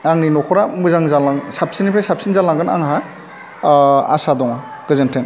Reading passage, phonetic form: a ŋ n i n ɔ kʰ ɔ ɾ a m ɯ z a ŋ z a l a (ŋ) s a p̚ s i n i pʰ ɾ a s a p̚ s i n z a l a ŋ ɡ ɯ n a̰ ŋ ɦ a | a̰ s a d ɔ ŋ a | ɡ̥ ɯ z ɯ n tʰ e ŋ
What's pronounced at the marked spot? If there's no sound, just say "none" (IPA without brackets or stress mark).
ŋ